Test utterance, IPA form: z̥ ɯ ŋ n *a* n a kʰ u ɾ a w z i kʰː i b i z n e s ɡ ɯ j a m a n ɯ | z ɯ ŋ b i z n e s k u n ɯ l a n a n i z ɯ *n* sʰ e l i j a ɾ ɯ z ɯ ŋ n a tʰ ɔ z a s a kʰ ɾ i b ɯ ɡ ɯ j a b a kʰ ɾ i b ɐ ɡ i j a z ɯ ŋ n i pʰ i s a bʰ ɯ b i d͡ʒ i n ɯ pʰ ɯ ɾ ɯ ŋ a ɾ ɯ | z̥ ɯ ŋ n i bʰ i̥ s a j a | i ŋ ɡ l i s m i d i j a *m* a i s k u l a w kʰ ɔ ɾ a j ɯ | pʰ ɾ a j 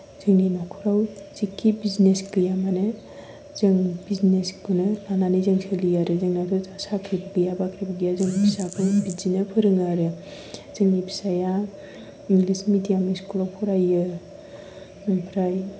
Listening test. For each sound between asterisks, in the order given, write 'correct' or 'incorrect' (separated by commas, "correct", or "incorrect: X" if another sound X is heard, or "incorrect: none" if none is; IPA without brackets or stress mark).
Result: incorrect: i, incorrect: ŋ, correct